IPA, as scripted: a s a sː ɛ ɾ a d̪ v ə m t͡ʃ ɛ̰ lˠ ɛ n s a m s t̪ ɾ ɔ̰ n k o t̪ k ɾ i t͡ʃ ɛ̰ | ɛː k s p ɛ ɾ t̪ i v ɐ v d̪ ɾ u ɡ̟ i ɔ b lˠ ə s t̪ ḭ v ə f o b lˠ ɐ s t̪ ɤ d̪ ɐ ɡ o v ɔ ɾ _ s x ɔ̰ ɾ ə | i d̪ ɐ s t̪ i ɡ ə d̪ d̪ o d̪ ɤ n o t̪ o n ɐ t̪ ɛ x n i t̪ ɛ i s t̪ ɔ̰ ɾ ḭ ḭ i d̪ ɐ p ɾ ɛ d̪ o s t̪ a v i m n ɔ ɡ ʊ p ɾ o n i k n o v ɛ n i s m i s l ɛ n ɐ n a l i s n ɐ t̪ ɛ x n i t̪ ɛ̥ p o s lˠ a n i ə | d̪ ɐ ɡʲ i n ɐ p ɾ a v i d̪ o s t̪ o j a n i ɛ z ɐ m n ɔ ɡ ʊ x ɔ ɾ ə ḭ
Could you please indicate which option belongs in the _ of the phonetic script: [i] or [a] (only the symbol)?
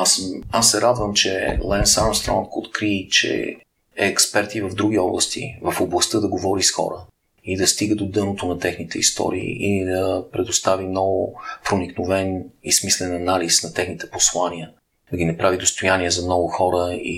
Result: i